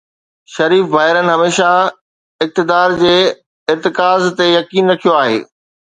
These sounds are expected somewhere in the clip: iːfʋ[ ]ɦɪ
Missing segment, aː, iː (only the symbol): aː